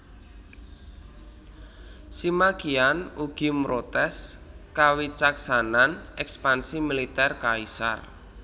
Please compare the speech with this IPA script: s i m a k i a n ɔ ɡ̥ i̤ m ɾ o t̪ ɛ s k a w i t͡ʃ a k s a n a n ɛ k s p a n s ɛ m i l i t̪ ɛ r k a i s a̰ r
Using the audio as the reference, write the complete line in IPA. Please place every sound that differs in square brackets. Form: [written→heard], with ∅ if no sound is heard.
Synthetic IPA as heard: s i m a k i a n [ɔ→u] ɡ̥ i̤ m ɾ o t̪ ɛ s k a w i t͡ʃ a k s a n a n ɛ k s p a n s [ɛ→i] m i l i t̪ ɛ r k a i s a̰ r